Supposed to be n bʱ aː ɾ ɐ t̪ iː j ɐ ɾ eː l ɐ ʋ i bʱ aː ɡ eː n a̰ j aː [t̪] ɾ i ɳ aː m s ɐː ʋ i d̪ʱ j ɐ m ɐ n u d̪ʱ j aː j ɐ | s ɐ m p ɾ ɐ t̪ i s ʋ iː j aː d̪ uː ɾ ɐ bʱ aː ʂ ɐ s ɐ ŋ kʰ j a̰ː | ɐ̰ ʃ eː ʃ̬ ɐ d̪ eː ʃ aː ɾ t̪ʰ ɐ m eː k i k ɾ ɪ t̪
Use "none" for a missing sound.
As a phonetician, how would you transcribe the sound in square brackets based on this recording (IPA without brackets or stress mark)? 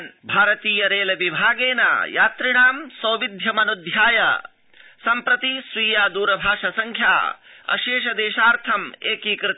t̪